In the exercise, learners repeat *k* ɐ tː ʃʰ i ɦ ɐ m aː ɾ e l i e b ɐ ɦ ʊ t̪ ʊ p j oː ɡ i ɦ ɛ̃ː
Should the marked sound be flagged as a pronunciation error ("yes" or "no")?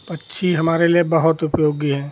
yes